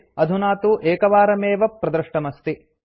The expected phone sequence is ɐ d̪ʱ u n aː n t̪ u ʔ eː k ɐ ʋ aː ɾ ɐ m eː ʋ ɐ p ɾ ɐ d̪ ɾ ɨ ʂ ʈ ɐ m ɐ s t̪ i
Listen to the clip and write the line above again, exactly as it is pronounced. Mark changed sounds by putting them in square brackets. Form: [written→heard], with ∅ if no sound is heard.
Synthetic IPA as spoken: ɐ d̪ʱ u n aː [n→∅] t̪ u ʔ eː k ɐ ʋ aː ɾ ɐ m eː ʋ ɐ p ɾ ɐ d̪ ɾ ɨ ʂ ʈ ɐ m ɐ s t̪ i